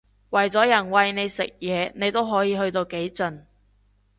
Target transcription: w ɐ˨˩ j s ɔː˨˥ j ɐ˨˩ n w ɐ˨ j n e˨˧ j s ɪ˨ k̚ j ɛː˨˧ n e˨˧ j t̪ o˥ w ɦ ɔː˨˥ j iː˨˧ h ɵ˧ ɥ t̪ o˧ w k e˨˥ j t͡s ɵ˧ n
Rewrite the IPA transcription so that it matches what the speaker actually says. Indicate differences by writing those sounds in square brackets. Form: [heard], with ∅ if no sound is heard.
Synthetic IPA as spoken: w ɐ˨˩ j [t͡s] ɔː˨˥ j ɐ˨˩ n w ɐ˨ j n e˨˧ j s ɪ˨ k̚ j ɛː˨˧ n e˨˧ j t̪ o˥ w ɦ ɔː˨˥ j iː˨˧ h ɵ˧ ɥ t̪ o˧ w k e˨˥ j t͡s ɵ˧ n

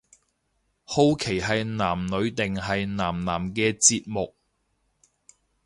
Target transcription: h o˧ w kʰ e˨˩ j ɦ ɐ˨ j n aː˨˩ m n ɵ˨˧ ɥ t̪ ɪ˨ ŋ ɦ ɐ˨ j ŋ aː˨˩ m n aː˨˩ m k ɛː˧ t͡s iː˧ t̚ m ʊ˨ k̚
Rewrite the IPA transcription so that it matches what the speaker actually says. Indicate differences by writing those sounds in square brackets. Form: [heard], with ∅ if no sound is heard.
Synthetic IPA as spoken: h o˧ w kʰ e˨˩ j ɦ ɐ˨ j n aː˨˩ m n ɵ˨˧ ɥ t̪ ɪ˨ ŋ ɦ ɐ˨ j [n] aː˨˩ m n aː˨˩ m k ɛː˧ t͡s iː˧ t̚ m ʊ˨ k̚

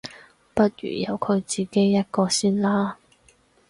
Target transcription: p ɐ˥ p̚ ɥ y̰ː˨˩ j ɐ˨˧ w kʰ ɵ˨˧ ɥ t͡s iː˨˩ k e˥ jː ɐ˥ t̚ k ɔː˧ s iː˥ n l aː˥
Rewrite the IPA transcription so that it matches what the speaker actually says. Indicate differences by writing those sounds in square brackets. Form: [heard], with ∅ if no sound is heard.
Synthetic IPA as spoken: p ɐ˥ [t̚] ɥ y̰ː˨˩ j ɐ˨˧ w kʰ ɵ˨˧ ɥ t͡s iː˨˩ k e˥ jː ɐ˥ t̚ k ɔː˧ s iː˥ n l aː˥

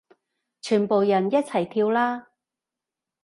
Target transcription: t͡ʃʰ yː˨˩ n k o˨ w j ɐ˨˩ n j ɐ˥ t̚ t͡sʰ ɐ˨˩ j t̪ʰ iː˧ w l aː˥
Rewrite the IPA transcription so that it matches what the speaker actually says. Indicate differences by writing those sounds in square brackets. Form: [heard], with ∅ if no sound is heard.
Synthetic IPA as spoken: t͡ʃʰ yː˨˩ n [p] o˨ w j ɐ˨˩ n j ɐ˥ t̚ t͡sʰ ɐ˨˩ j t̪ʰ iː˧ w l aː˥

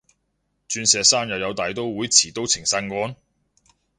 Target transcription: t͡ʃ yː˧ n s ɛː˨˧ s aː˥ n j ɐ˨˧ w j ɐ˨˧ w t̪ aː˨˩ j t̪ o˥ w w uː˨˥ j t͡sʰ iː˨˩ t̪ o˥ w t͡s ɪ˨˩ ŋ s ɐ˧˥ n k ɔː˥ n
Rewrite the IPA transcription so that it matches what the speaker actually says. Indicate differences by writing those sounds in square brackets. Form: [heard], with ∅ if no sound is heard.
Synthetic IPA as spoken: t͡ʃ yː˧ n s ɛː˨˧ s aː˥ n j ɐ˨˧ w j ɐ˨˧ w t̪ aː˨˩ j t̪ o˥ w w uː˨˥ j t͡sʰ iː˨˩ t̪ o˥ w [t͡sʰ] ɪ˨˩ ŋ s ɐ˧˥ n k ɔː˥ n

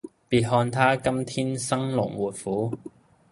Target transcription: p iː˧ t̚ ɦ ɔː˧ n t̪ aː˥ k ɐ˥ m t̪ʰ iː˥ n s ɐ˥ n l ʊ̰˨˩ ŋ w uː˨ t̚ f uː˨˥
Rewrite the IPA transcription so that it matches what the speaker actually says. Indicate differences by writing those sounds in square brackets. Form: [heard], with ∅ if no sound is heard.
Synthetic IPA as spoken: p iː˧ t̚ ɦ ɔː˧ n [t̪ʰ] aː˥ k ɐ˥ m t̪ʰ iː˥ n s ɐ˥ [ŋ] l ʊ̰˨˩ ŋ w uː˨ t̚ f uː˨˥

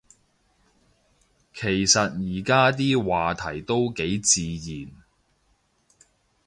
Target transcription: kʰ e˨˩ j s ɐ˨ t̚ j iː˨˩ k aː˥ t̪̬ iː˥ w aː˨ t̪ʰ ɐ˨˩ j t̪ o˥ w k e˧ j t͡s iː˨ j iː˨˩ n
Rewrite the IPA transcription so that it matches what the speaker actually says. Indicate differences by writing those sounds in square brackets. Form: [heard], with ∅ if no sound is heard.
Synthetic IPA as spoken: kʰ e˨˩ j s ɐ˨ t̚ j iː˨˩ k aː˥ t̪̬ iː˥ w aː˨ t̪ʰ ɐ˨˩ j t̪ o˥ w k [e˨˥] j t͡s iː˨ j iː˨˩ n

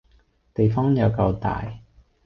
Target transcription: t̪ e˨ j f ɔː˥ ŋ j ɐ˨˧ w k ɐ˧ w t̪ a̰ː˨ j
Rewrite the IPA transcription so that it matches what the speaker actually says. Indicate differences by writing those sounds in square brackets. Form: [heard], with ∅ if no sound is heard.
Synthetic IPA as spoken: t̪ e˨ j f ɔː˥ ŋ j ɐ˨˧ w k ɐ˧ w t̪ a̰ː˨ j

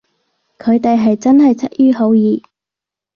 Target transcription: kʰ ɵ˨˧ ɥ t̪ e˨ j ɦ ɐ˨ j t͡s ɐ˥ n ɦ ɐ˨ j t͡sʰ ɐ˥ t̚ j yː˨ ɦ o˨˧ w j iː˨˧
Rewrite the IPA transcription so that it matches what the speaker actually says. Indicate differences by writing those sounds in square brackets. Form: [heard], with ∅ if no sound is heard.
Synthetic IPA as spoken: kʰ ɵ˨˧ ɥ t̪ e˨ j ɦ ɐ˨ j t͡s ɐ˥ n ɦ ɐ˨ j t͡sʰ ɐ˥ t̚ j [yː˥] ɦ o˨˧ w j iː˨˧

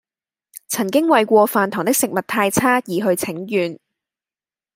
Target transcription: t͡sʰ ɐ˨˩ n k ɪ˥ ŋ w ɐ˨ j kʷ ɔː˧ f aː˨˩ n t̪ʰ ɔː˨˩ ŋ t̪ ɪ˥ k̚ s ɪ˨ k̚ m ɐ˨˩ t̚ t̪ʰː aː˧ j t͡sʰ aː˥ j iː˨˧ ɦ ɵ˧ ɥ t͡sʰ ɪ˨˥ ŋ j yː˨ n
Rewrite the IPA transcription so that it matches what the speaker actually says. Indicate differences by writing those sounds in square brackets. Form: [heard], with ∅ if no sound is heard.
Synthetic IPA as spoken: t͡sʰ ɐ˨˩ n k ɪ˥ ŋ w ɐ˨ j kʷ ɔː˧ f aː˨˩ n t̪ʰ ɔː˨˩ ŋ t̪ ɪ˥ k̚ s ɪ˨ k̚ m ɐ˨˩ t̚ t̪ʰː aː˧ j t͡sʰ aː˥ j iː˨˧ ɦ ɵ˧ ɥ t͡sʰ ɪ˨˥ ŋ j yː˨ n

